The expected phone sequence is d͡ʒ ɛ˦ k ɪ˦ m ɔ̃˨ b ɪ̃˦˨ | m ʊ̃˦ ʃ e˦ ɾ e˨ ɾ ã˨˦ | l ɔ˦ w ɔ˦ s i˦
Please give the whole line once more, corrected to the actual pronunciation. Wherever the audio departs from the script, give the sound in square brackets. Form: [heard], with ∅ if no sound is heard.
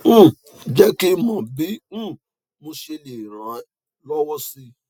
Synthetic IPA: d͡ʒ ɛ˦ k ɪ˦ m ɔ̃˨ b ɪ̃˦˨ | m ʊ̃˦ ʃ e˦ [l] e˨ ɾ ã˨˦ | l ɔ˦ w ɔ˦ s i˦